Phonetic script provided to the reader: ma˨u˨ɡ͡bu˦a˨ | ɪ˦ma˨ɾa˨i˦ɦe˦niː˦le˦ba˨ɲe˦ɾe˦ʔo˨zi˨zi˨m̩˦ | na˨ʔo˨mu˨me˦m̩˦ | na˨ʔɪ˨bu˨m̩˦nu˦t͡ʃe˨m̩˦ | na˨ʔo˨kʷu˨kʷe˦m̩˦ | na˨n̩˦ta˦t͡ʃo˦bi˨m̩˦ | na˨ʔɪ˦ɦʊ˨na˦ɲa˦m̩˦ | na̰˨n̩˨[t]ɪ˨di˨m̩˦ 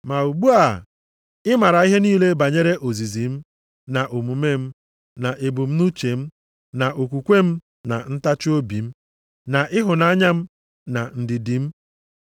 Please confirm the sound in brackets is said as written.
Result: no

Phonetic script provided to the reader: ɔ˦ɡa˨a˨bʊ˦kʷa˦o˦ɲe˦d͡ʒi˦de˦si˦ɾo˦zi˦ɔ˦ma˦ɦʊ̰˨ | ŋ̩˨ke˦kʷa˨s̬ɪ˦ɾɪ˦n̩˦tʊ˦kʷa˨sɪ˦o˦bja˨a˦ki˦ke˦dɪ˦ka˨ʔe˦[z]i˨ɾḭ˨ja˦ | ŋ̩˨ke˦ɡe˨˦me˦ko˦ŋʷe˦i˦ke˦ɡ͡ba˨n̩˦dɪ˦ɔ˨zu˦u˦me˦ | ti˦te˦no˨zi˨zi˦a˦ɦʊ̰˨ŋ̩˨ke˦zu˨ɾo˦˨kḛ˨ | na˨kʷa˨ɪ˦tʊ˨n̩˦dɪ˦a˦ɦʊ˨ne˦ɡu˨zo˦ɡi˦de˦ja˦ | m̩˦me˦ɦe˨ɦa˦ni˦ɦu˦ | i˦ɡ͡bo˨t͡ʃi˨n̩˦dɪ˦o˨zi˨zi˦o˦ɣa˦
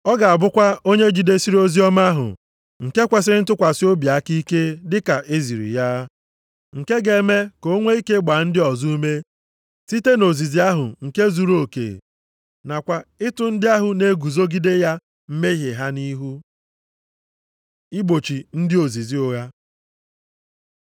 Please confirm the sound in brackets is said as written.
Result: yes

